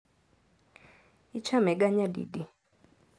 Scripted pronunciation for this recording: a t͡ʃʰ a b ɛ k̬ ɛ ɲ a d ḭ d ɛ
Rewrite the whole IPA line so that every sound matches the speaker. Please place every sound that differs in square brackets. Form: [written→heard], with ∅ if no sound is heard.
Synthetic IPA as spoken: [a→i] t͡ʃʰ a [b→m] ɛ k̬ [ɛ→a] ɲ a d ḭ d [ɛ→i]